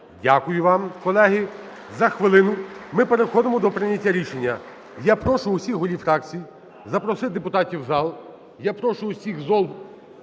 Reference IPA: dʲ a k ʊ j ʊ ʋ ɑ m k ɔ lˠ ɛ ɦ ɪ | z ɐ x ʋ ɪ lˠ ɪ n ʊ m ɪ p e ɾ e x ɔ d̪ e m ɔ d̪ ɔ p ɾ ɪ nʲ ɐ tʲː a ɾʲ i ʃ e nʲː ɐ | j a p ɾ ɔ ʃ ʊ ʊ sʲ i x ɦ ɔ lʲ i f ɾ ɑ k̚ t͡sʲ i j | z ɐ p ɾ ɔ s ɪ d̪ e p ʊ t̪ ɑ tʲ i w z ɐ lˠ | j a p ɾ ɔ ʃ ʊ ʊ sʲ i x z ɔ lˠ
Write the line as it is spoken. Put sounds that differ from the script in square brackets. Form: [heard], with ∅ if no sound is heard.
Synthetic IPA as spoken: dʲ a k ʊ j ʊ ʋ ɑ m k ɔ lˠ ɛ ɦ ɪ | z ɐ x ʋ ɪ lˠ ɪ n ʊ m ɪ p e ɾ e x ɔ d̪ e m ɔ d̪ ɔ p ɾ ɪ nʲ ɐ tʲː a ɾʲ i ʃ e nʲː ɐ | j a p ɾ ɔ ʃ ʊ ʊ sʲ i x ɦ ɔ lʲ i f ɾ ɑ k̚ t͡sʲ i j | z ɐ p ɾ ɔ s ɪ d̪ e p ʊ t̪ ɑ tʲ i w z [ɑ] lˠ | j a p ɾ ɔ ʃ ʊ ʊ sʲ i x z ɔ lˠ